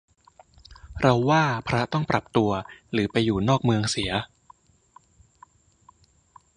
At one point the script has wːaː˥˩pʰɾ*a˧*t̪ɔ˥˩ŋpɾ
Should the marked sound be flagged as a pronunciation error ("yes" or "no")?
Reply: yes